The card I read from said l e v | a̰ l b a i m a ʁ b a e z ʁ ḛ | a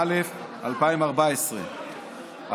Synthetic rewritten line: l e f | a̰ l p a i m a ʁ b a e s ʁ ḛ | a